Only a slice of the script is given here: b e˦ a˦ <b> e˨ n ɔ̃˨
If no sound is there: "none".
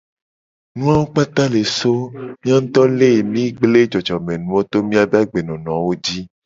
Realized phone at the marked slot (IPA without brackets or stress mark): ɡ͡b